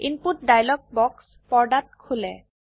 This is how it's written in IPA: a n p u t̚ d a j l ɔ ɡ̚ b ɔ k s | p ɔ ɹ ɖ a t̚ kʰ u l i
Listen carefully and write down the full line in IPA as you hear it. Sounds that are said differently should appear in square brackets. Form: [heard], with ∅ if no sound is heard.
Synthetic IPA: [i] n p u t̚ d a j l ɔ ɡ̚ b ɔ k s | p ɔ ɹ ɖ a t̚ kʰ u l [ɛ]